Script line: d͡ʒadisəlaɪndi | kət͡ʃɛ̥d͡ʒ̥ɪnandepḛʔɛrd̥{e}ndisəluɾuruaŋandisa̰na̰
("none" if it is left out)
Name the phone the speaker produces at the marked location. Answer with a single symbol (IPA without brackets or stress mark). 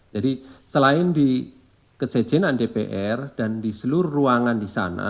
a